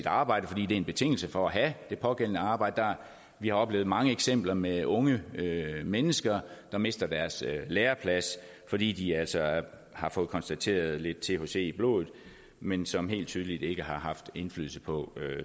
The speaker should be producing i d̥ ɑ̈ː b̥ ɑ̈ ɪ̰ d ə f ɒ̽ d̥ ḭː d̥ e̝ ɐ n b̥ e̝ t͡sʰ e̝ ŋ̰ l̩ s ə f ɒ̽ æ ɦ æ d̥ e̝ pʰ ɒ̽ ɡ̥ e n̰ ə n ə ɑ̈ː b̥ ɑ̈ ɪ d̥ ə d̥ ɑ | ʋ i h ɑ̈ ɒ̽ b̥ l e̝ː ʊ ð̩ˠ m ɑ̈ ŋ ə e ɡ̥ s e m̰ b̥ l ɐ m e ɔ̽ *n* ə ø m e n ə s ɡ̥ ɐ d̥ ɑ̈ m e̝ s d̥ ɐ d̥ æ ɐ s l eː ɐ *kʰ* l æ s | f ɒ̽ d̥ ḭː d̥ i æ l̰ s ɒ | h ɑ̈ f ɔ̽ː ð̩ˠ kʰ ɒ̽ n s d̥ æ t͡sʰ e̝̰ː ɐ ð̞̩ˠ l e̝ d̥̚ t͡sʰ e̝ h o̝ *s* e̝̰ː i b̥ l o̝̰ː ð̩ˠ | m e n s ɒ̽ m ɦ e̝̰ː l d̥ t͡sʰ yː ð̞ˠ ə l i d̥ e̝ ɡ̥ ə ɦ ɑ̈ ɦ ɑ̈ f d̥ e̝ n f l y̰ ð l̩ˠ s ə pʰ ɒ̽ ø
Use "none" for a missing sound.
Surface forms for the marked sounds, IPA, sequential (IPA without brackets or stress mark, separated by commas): ŋ, pʰ, s